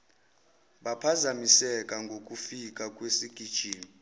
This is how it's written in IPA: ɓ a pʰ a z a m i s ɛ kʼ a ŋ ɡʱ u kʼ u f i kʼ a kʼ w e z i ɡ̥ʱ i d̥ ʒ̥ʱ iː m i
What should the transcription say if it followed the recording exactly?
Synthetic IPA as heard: ɓ a pʰ a z a m i s ɛ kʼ a ŋ ɡʱ o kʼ u f i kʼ a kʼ w e s i ɡ̥ʱ i d̥ ʒ̥ʱ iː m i